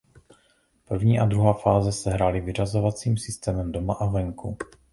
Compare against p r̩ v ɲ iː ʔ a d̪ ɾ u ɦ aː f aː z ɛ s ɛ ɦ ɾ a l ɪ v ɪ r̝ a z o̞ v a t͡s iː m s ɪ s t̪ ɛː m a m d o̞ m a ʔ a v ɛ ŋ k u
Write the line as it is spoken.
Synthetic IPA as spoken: p r̩ v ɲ iː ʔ a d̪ ɾ u ɦ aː f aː z ɛ s ɛ ɦ ɾ a l ɪ v ɪ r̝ a z o̞ v a t͡s iː m s ɪ s t̪ ɛː m ɛ m d o̞ m a ʔ a v ɛ ŋ k u